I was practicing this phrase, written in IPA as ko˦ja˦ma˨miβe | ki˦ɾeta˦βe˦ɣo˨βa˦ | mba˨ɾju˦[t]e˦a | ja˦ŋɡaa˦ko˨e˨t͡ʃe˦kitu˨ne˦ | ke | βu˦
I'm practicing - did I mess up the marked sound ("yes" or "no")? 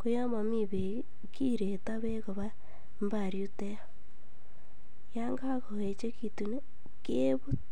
no